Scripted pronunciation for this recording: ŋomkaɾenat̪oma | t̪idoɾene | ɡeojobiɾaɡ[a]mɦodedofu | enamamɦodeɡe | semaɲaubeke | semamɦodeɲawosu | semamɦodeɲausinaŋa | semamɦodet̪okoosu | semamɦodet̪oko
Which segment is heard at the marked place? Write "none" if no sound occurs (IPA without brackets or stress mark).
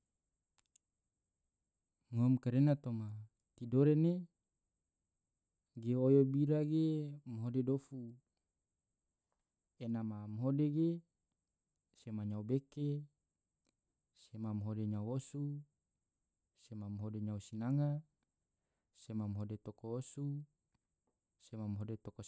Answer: e